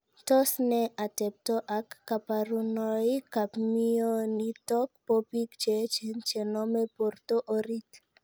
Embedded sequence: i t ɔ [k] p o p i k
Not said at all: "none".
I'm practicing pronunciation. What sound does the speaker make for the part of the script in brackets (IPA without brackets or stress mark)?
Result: k